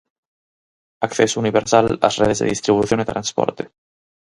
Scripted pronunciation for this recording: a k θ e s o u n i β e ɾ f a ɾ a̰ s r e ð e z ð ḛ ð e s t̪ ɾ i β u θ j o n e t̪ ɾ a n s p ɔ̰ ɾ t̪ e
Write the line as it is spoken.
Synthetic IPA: a k θ e s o u n i β e ɾ s a l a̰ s r e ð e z ð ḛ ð i s t̪ ɾ i β u θ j o n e t̪ ɾ a n s p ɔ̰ ɾ t̪ e

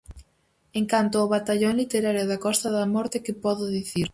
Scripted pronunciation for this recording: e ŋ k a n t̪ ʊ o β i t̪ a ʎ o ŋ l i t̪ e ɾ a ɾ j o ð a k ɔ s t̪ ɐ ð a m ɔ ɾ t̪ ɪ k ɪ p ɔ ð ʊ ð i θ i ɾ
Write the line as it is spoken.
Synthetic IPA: e ŋ k a n t̪ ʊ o β a t̪ a ʎ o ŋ l i t̪ e ɾ a ɾ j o ð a k ɔ s t̪ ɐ ð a m ɔ ɾ t̪ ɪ k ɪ p ɔ ð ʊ ð i θ i ɾ

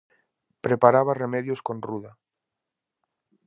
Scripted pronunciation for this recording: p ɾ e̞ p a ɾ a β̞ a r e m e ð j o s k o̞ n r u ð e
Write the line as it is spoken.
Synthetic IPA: p ɾ e̞ p a ɾ a β̞ a r e m e ð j o s k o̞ n r u ð a

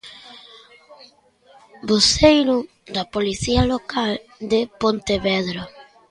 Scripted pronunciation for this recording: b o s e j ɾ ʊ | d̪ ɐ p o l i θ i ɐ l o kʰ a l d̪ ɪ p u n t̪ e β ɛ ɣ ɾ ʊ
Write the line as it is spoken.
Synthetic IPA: b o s e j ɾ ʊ | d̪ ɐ p o l i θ i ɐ l o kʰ a l d̪ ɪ p o n t̪ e β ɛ ð ɾ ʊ

